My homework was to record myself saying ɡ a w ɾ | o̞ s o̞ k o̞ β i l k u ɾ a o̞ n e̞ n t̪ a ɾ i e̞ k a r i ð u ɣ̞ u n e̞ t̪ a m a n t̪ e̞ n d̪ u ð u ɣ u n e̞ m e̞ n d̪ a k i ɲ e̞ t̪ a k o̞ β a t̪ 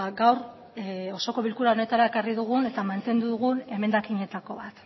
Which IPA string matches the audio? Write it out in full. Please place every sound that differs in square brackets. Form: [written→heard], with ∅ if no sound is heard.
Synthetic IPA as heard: ɡ a w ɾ | o̞ s o̞ k o̞ β i l k u ɾ a o̞ n e̞ [n→∅] t̪ a ɾ [i→a] e̞ k a r i ð u ɣ̞ u n e̞ t̪ a m a n t̪ e̞ n d̪ u ð u ɣ u n e̞ m e̞ n d̪ a k i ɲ e̞ t̪ a k o̞ β a t̪